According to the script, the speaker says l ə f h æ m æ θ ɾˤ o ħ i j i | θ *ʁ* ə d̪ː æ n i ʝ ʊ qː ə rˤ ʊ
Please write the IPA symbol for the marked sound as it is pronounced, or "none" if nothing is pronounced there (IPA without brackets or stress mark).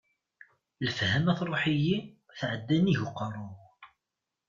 ʕ